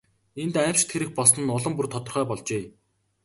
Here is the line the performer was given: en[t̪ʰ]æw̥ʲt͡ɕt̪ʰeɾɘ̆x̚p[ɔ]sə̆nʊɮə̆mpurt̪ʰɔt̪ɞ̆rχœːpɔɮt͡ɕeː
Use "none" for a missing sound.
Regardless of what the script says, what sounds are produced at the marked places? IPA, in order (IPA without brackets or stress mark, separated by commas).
t̪, ɔ